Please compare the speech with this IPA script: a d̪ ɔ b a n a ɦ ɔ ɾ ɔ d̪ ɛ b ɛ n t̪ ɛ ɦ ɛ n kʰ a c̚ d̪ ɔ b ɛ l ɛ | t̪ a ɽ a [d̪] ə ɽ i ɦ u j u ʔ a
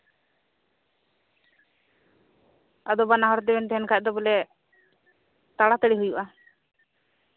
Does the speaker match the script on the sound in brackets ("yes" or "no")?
no